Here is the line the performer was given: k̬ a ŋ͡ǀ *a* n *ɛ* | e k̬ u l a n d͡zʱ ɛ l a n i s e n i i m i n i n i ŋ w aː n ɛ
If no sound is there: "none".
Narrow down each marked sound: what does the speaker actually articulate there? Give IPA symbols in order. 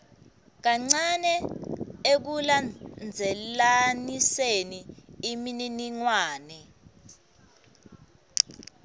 a, ɛ

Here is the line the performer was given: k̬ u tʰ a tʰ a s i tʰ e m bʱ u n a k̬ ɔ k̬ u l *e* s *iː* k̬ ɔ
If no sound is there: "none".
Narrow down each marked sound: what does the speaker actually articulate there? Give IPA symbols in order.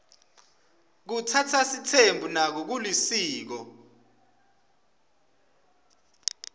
i, iː

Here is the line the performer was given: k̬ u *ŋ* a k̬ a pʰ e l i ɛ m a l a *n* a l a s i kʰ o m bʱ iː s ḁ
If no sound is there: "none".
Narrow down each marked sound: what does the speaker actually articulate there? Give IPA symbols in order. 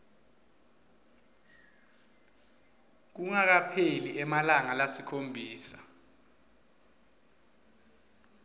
ŋ, ŋ

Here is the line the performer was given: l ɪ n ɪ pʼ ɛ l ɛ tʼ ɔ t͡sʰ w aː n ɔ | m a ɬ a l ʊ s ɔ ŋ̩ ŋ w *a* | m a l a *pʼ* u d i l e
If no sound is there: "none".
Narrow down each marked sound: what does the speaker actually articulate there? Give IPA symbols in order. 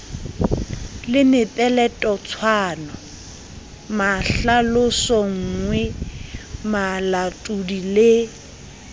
ɛ, tʼ

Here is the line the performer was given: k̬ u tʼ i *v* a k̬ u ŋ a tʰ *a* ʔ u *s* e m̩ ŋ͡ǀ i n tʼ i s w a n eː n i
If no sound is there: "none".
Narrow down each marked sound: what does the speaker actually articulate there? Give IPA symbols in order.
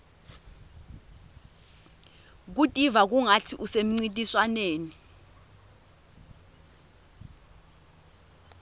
v, i, s

